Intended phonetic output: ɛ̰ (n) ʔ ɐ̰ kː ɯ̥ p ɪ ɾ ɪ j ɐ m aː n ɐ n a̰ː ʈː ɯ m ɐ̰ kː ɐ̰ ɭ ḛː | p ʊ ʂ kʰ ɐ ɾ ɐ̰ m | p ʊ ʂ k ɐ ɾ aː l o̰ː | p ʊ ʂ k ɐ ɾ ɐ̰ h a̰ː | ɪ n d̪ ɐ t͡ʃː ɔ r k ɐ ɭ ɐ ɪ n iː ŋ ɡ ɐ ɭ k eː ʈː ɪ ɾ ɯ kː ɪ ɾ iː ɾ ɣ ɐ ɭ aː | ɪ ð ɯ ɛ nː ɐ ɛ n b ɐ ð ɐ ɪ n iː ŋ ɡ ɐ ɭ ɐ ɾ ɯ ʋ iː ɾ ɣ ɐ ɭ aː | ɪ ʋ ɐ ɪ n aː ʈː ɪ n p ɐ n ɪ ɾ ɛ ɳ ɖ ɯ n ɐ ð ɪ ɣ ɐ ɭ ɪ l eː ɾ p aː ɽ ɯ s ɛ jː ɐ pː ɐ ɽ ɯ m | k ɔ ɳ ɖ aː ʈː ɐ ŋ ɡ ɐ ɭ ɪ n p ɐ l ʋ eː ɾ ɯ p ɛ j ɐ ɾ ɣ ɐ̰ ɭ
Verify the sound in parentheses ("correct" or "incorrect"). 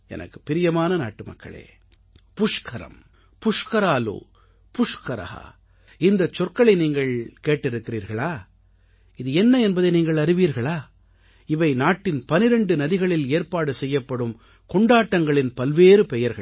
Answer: correct